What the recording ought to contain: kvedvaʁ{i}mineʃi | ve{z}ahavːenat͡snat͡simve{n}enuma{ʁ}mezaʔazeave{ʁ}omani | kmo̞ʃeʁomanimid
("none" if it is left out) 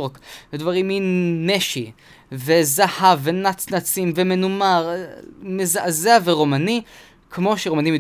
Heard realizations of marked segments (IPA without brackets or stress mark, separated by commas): i, z, m, ʁ, ʁ